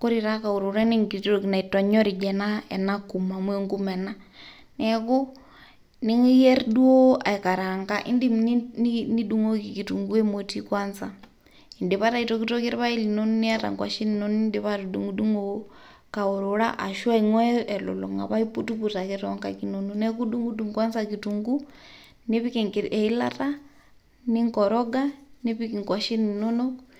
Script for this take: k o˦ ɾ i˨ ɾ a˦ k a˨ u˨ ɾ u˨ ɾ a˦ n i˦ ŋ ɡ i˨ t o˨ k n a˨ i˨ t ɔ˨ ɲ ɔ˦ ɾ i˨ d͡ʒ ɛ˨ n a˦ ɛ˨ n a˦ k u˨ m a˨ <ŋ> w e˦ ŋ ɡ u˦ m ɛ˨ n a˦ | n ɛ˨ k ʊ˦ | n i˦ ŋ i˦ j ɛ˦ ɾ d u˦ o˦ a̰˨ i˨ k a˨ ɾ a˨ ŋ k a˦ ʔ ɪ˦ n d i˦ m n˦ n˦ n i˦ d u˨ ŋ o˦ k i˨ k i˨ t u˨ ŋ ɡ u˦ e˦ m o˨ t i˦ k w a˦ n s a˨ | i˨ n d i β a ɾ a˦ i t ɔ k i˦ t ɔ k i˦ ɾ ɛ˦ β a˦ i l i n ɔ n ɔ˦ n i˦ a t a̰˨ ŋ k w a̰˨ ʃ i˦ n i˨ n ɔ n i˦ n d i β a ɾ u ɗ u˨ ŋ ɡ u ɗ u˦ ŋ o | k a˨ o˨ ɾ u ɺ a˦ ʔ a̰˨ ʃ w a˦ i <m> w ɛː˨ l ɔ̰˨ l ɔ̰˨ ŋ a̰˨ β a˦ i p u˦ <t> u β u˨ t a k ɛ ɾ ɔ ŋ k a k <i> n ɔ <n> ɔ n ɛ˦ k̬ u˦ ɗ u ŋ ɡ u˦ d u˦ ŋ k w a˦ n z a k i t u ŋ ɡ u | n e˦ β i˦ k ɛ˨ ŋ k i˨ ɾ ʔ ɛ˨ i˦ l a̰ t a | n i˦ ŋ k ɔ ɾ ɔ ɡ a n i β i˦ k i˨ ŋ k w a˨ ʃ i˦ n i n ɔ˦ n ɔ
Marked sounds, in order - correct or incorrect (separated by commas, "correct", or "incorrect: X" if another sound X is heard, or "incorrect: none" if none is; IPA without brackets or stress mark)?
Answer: incorrect: m, incorrect: ŋ, correct, correct, correct